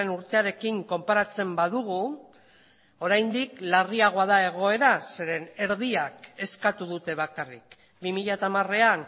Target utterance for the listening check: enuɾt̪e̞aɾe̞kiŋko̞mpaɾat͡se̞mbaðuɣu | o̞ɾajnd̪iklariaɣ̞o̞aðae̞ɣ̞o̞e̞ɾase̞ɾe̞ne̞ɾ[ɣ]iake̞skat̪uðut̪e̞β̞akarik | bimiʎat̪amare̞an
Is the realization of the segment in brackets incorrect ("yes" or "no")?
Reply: yes